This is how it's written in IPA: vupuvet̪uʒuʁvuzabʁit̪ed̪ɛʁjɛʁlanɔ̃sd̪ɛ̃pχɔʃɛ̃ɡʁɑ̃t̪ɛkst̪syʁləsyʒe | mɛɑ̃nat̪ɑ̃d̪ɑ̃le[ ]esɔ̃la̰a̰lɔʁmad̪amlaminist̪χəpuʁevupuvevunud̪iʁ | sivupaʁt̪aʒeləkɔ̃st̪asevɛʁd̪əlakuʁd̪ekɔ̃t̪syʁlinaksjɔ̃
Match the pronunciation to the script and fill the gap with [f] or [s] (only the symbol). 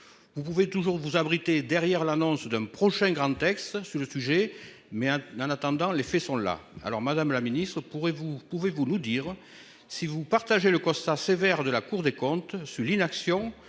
f